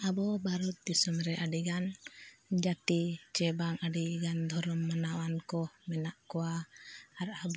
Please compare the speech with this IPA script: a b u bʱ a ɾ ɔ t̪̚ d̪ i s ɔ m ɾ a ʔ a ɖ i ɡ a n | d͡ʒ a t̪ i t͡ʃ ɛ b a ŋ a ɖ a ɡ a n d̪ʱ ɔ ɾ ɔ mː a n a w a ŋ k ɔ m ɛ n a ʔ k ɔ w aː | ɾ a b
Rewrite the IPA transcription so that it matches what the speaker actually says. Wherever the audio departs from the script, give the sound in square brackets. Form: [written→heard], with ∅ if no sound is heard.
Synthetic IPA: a b [u→ɔ] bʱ a ɾ ɔ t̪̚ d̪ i s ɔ m ɾ [a→ɛ] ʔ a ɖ i ɡ a n | d͡ʒ a t̪ i t͡ʃ ɛ b a ŋ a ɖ [a→i] ɡ a n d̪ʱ ɔ ɾ ɔ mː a n a w a [ŋ→n] k ɔ m ɛ n a ʔ k ɔ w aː | ɾ a b

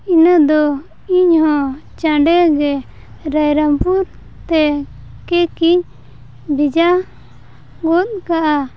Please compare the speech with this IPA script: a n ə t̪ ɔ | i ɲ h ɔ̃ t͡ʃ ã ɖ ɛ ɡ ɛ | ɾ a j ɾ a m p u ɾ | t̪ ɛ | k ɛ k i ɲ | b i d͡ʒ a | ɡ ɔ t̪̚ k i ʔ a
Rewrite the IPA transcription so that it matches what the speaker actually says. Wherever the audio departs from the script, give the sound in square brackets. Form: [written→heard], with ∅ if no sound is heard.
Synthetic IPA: [a→i] n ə [t̪→d̪] ɔ | i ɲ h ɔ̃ t͡ʃ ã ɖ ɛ ɡ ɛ | ɾ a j ɾ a m p u ɾ | t̪ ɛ | k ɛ k i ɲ | b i d͡ʒ a | ɡ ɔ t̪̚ k [i→a] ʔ a

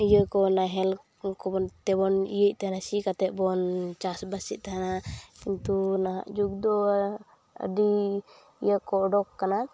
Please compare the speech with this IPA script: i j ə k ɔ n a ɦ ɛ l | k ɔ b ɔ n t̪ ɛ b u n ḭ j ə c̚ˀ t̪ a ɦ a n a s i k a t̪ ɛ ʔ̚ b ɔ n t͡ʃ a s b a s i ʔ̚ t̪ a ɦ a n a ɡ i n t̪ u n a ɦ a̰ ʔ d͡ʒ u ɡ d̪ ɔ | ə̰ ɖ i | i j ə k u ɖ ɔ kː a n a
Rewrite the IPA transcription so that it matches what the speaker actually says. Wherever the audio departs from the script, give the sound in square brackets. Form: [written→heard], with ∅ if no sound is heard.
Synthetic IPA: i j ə k ɔ n a ɦ ɛ l | k ɔ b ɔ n t̪ ɛ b [u→ɔ] n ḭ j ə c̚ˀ t̪ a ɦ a n a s i k a t̪ ɛ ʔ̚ b ɔ n t͡ʃ a s b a s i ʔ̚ t̪ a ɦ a n a [ɡ→k] i n t̪ u n a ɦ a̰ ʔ d͡ʒ u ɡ d̪ ɔ | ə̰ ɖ i | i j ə k [u→ɔ] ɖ ɔ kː a n a

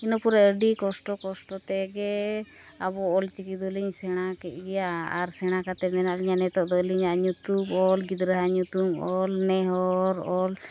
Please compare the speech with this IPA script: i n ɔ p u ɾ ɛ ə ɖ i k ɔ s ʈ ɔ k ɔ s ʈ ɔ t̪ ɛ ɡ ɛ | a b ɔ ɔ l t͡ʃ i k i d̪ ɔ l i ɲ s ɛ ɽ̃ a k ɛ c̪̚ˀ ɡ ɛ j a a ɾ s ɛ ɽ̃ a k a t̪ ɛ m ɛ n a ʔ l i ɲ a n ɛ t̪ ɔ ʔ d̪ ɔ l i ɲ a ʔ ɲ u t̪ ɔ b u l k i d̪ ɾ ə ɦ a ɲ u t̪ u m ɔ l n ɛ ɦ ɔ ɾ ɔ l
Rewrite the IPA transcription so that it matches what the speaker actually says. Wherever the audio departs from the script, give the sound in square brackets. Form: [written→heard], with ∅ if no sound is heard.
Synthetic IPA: i n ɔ p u ɾ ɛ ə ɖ i k ɔ s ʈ ɔ k ɔ s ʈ ɔ t̪ ɛ ɡ ɛ | a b ɔ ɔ l t͡ʃ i k i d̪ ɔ l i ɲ s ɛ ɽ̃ a k ɛ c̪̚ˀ ɡ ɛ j a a ɾ s ɛ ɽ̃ a k a t̪ ɛ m ɛ n a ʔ l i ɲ a n ɛ t̪ ɔ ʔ d̪ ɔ l i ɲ a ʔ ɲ u t̪ [ɔ→u] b [u→ɔ] l [k→ɡ] i d̪ ɾ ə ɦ a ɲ u t̪ u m ɔ l n ɛ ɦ ɔ ɾ ɔ l

